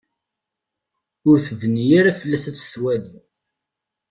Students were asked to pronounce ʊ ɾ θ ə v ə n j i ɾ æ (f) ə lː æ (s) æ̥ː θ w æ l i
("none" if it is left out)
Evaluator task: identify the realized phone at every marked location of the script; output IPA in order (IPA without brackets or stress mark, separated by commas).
f, s